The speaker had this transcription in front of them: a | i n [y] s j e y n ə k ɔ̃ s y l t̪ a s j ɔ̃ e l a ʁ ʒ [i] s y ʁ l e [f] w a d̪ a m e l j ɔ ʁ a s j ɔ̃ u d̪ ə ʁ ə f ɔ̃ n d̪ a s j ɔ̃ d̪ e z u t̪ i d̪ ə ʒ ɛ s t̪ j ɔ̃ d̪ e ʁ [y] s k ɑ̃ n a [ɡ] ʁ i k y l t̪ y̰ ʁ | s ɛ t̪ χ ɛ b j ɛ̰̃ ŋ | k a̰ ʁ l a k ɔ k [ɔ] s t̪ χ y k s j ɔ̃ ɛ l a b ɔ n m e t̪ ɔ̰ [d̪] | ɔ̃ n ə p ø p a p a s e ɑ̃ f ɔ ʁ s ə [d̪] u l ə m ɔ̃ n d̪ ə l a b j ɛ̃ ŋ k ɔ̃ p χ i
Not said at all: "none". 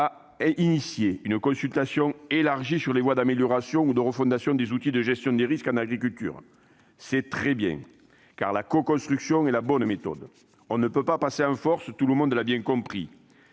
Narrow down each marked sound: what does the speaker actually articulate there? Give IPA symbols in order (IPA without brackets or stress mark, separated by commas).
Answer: i, i, v, i, ɡ, ɔ̃, d̪, t̪